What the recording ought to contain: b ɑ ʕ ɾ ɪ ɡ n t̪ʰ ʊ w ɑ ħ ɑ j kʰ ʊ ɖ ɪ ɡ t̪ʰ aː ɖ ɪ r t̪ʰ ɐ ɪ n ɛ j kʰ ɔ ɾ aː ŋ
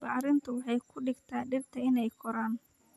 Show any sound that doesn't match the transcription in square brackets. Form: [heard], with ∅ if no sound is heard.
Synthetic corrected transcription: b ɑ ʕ ɾ ɪ [∅] n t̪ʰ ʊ w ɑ ħ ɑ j kʰ ʊ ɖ ɪ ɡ t̪ʰ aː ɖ ɪ r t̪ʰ ɐ ɪ n ɛ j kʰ ɔ ɾ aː [n]